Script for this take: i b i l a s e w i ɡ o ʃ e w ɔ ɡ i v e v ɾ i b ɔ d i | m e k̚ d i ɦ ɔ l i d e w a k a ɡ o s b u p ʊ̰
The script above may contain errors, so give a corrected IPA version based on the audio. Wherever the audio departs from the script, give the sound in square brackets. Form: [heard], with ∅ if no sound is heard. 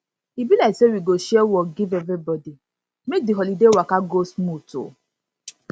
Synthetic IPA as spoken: i b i l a s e w i ɡ o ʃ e w ɔ ɡ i v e v ɾ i b ɔ d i | m e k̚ d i ɦ ɔ l i d e w a k a ɡ o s [m] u [t] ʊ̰